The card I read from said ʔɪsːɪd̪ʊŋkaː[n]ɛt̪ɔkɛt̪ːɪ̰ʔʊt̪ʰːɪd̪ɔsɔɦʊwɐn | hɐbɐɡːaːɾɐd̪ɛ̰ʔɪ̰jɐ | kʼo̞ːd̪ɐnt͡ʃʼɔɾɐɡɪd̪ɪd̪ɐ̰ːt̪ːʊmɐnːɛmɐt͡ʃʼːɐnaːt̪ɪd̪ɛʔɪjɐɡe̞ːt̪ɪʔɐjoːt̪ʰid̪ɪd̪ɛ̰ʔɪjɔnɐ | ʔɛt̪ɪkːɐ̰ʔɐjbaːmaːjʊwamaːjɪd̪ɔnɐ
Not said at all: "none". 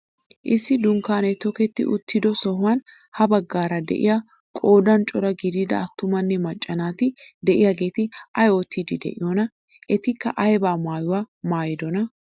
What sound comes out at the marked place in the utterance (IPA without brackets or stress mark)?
n